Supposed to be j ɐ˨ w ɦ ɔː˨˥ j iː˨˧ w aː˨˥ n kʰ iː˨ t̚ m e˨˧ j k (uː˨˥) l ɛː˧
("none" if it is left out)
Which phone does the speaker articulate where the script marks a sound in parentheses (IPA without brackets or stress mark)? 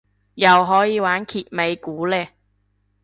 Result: uː˨˥